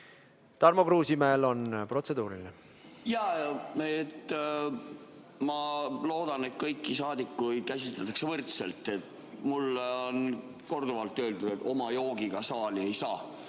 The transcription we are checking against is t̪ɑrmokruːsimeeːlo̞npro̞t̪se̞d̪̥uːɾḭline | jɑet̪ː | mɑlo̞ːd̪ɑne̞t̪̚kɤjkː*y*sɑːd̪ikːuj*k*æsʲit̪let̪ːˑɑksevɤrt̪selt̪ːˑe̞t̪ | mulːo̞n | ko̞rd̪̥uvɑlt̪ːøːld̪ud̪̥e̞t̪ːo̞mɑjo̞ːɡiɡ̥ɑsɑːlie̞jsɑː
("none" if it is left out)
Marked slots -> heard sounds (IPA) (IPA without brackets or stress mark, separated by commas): i, k